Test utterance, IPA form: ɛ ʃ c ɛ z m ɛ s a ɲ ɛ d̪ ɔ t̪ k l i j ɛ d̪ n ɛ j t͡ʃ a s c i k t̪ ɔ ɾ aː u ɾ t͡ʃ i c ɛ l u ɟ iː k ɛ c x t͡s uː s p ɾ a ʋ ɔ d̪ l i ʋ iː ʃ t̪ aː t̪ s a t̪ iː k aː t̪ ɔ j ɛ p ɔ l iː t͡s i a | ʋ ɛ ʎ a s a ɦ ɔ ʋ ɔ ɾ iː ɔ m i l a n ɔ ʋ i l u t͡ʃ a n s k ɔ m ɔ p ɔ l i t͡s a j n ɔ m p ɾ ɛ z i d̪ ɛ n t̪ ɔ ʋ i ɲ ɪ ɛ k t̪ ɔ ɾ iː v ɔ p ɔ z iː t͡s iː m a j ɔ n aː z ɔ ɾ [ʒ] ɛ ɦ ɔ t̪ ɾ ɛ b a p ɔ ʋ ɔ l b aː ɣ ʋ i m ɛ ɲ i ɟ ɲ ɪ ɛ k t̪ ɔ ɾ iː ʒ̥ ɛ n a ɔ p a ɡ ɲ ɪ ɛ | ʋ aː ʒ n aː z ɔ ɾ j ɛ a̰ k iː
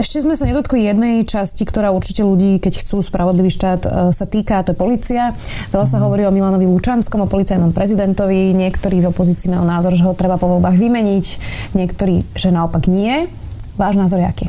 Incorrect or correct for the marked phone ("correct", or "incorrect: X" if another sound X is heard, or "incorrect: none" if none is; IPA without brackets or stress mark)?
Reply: correct